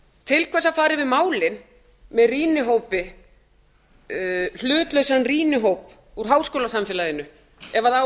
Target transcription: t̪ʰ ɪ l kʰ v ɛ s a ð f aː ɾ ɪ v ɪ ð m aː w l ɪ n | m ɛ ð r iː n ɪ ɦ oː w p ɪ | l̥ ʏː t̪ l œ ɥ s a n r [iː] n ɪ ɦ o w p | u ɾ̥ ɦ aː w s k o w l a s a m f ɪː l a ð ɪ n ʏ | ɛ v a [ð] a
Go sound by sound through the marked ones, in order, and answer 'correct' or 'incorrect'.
correct, correct

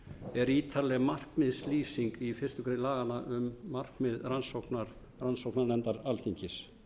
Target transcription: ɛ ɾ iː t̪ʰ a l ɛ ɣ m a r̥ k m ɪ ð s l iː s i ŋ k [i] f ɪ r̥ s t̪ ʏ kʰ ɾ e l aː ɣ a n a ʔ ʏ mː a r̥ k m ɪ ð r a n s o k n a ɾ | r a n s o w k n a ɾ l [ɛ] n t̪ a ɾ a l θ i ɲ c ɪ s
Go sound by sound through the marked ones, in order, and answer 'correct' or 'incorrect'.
correct, correct

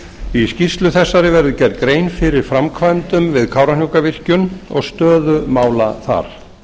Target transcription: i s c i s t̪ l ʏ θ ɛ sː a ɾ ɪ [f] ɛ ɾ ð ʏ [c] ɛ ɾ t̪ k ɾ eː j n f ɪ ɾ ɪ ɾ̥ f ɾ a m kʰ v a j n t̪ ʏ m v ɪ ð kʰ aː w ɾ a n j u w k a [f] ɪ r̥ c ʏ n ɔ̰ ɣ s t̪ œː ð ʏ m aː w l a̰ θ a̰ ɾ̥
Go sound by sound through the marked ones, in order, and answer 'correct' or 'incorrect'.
incorrect: v, correct, incorrect: v

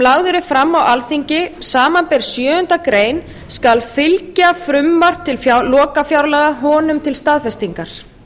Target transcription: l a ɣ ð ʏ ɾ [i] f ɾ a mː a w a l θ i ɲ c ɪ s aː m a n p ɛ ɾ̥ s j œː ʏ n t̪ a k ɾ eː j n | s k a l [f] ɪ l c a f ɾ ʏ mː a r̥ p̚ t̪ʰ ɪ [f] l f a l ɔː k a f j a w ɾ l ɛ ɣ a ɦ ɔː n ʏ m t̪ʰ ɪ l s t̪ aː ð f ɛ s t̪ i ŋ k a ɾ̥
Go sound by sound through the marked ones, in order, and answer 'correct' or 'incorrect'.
incorrect: ɪ, correct, incorrect: none

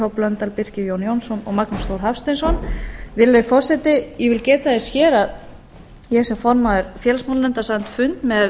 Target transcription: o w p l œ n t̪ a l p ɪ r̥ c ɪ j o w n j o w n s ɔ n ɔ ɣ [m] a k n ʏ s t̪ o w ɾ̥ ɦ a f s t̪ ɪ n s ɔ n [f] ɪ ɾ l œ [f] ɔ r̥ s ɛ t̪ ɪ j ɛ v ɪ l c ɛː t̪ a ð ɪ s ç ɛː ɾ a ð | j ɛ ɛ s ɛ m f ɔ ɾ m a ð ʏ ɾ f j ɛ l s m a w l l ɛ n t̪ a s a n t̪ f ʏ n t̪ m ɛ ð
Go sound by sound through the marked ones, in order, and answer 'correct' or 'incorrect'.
correct, incorrect: v, correct

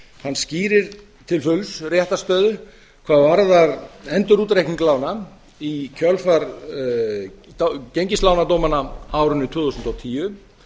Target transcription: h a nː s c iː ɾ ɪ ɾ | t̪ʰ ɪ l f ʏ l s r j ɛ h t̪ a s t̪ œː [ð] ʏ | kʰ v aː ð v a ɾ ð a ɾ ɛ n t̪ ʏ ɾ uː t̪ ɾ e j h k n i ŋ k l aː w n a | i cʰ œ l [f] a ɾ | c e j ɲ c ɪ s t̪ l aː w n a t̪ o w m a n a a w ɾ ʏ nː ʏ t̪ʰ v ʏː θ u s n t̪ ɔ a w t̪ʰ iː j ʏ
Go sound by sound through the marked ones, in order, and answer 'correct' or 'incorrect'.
correct, correct

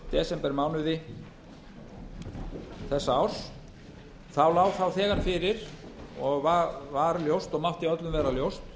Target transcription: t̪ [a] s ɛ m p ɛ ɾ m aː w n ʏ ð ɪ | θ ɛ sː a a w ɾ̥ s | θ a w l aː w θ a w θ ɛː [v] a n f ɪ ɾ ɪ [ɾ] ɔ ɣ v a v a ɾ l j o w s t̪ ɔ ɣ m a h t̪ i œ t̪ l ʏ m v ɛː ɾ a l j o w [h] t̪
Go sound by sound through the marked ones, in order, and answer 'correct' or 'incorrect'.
incorrect: ɛ, incorrect: ɣ, correct, incorrect: s

